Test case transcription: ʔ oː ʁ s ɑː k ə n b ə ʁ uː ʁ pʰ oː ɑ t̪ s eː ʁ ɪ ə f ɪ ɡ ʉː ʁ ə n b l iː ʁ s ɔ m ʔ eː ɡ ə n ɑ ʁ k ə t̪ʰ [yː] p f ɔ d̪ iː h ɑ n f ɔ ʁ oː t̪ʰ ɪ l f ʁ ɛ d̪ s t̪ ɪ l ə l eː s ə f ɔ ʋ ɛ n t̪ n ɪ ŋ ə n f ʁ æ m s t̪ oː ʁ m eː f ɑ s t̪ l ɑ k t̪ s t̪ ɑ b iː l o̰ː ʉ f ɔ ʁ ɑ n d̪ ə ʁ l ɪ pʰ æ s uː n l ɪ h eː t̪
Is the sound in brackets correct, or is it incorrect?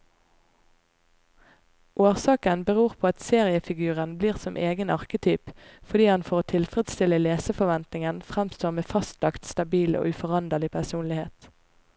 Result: correct